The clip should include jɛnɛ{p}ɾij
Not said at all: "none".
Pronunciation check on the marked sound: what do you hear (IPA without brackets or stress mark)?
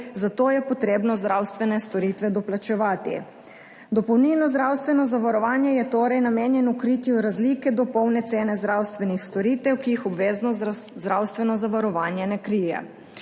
k